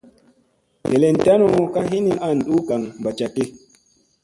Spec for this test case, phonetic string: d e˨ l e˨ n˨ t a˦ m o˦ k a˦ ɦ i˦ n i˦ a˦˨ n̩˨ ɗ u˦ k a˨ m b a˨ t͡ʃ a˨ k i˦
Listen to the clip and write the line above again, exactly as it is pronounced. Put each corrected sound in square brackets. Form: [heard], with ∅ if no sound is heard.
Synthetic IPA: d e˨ l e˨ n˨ t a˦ [n] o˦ k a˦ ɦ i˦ n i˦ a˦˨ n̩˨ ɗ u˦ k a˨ [ŋ] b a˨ t͡ʃ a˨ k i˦